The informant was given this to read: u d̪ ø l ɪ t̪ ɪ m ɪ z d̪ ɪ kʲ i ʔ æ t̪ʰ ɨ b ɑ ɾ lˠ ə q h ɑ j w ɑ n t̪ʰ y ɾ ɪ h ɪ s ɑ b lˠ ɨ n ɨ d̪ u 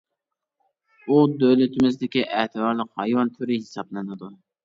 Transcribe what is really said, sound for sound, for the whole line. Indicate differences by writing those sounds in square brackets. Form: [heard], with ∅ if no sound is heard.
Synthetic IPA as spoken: u d̪ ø l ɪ t̪ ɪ m ɪ z d̪ ɪ kʲ i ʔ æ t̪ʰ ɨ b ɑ ɾ lˠ ə q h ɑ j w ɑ n t̪ʰ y ɾ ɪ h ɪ s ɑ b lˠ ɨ n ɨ d̪ u